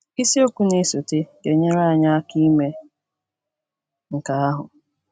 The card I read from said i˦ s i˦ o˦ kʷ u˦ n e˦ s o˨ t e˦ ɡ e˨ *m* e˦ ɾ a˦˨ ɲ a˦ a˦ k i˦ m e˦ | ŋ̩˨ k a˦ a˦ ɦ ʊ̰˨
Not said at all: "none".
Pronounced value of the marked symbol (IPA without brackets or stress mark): ɲ